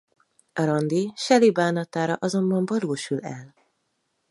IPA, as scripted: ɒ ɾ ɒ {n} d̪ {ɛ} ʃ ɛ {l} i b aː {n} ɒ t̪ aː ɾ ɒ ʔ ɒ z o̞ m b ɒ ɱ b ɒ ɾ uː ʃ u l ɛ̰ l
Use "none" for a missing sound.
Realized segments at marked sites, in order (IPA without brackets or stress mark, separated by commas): n, i, l, n